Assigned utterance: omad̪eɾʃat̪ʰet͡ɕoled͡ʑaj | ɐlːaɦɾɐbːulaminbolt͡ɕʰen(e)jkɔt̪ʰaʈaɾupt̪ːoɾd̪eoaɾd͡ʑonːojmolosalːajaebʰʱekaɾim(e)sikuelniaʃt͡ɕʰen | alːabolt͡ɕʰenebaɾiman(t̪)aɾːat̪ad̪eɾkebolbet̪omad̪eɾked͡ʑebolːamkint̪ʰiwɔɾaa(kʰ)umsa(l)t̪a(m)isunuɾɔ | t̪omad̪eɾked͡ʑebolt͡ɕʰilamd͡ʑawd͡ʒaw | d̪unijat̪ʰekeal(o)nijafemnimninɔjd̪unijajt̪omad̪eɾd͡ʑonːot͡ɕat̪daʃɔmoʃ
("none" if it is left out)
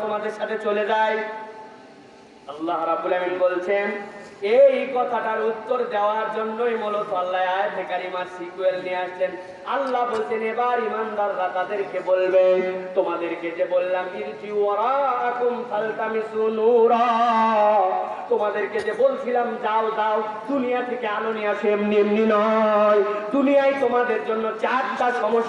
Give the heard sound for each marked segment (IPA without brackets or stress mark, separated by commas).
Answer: e, a, d̪, k, l, m, o